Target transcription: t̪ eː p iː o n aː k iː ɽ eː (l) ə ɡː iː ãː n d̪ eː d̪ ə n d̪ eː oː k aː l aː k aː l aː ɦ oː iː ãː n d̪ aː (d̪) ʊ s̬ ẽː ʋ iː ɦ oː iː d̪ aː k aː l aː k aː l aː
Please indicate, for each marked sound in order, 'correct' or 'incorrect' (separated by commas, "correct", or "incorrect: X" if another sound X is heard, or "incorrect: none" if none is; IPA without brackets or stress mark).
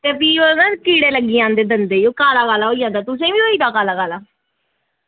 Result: correct, incorrect: t̪